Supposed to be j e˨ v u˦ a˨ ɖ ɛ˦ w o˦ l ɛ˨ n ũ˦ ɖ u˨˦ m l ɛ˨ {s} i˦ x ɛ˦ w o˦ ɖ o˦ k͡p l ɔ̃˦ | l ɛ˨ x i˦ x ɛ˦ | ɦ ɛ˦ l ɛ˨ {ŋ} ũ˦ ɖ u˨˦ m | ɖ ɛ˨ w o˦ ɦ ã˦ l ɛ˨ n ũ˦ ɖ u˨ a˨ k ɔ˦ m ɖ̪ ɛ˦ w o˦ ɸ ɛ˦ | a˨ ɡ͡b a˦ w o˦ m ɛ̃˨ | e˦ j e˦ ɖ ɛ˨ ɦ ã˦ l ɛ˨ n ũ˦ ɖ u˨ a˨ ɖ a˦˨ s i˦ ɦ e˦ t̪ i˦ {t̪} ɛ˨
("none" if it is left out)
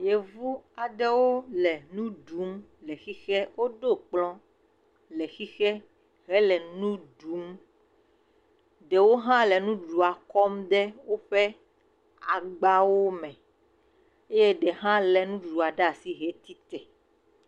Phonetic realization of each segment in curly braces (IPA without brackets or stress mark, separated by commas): x, n, t̪